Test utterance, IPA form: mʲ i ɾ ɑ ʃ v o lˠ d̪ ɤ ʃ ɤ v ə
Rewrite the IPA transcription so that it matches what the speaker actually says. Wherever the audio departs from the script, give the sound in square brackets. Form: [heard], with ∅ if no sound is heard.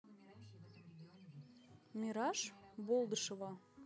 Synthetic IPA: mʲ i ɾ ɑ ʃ [b] o lˠ d̪ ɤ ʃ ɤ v [ɑ]